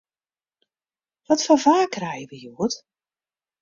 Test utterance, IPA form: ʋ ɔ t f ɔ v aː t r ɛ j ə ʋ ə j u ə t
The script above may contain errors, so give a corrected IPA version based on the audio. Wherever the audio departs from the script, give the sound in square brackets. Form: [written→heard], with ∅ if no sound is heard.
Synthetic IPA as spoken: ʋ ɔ t f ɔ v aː [t→k] r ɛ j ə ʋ ə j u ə t